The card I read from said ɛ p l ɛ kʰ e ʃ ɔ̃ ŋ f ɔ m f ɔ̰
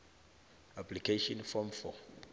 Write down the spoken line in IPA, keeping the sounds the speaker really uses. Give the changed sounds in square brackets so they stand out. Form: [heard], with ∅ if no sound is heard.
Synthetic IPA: [a] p l [i] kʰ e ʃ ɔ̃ [n] f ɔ m f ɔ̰